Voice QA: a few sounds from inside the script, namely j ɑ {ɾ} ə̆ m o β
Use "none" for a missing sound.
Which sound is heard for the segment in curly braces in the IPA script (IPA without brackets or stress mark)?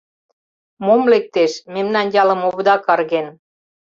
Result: l